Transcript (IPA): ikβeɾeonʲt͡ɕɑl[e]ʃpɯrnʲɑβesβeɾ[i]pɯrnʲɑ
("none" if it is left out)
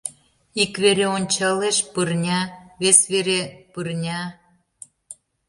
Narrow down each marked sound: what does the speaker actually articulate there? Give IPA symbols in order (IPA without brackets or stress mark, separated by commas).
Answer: e, e